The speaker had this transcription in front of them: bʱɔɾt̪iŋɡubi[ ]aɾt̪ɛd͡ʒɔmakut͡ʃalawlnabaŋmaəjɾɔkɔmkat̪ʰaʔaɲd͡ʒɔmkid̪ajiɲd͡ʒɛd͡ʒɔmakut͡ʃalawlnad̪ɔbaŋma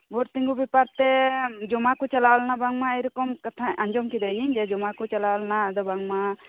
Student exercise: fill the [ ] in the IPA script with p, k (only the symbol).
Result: p